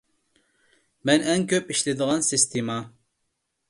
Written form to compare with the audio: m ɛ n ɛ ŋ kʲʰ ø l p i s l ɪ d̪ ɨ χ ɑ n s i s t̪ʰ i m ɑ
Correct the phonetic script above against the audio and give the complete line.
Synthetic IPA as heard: m ɛ n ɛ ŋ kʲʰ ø p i ʃ l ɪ d̪ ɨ ʁ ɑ n s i s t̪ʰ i m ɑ